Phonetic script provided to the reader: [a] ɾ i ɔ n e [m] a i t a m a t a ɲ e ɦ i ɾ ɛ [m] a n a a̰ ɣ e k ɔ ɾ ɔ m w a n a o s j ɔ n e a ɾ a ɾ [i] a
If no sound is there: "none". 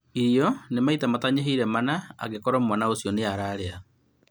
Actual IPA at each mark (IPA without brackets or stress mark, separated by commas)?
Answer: i, m, m, e